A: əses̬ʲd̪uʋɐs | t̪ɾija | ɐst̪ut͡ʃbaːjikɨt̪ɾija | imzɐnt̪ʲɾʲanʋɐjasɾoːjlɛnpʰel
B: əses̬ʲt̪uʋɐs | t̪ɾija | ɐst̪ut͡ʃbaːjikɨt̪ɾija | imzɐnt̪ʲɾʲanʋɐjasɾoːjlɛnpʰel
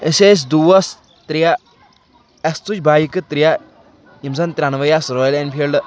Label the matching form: A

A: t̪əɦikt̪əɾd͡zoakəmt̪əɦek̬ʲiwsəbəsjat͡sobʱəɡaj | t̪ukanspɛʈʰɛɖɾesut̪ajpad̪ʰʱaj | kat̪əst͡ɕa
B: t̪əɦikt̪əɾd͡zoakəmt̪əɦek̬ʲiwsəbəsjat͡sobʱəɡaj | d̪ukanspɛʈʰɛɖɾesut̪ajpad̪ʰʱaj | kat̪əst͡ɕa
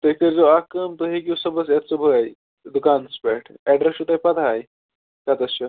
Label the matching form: B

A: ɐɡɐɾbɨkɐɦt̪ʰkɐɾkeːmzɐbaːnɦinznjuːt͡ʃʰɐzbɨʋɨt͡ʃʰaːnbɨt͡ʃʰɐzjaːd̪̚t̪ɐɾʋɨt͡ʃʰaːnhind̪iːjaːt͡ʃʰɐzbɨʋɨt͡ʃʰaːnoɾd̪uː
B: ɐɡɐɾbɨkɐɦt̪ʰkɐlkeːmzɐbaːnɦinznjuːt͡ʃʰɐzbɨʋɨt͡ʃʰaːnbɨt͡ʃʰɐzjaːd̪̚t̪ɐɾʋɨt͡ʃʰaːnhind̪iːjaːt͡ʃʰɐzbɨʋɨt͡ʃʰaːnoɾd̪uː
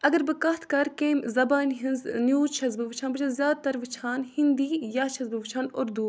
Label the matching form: A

